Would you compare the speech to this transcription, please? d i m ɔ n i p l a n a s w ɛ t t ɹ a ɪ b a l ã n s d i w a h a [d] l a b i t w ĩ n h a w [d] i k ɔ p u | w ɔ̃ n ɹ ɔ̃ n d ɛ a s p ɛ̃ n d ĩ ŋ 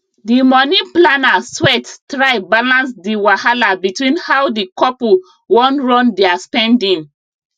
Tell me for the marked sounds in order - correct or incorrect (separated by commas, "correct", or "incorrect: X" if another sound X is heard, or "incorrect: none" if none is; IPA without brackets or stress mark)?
incorrect: none, correct